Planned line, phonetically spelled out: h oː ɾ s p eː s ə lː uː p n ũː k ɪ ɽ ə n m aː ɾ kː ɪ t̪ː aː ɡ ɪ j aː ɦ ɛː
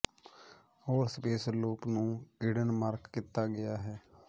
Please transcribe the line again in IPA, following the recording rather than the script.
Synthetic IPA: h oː ɾ s p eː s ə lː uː p n ũː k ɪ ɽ ə n m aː ɾ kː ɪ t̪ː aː ɡ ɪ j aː ɦ ɛː